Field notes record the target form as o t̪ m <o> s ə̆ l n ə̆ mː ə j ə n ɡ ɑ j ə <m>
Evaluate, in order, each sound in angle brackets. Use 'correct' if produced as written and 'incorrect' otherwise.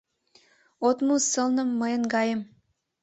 incorrect: u, correct

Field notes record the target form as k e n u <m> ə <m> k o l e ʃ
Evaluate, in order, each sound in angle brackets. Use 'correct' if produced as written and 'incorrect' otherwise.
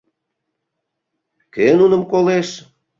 incorrect: n, correct

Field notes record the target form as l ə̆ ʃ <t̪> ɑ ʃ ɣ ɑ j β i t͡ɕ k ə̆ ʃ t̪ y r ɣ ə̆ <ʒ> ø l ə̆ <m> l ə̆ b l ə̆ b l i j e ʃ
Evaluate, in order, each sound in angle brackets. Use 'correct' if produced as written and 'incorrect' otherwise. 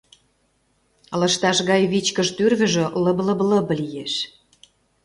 correct, correct, incorrect: b

